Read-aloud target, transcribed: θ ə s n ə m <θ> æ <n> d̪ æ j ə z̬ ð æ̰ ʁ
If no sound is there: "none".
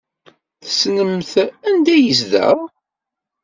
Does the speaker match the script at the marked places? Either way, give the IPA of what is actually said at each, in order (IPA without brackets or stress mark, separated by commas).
θ, n